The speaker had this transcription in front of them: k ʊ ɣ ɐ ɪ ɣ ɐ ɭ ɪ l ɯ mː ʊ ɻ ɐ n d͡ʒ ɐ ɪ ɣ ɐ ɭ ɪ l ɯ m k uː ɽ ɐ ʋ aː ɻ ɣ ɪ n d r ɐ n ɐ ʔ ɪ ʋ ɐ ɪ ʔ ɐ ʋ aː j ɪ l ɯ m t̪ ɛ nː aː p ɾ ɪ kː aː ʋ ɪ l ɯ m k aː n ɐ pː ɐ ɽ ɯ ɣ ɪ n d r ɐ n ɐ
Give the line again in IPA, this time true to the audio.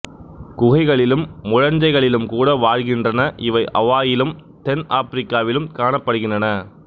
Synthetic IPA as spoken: k ʊ ɣ ɐ ɪ ɣ ɐ ɭ ɪ l ɯ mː ʊ ɻ ɐ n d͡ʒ ɐ ɪ ɣ ɐ ɭ ɪ l ɯ m k uː ɽ ɐ ʋ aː ɻ ɣ ɪ n d r ɐ n ɐ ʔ ɪ ʋ ɐ ɪ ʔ ɐ ʋ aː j ɪ l ɯ m t̪ ɛ n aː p ɾ ɪ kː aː ʋ ɪ l ɯ m k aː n ɐ pː ɐ ɽ ɯ ɣ ɪ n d r ɐ n ɐ